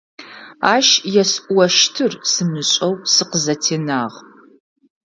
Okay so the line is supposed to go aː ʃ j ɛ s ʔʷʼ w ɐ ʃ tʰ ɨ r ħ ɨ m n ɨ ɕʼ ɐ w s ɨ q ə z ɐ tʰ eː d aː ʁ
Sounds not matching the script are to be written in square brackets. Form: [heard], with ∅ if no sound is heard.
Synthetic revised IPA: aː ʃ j ɛ s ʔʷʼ w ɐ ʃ tʰ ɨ r [s] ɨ m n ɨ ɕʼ ɐ w s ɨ q ə z ɐ tʰ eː [n] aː ʁ